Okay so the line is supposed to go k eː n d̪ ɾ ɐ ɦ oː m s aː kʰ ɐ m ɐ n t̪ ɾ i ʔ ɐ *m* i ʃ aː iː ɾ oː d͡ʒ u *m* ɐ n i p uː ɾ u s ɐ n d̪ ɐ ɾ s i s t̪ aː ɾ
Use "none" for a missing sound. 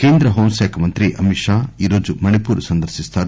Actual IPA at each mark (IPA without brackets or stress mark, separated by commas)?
m, m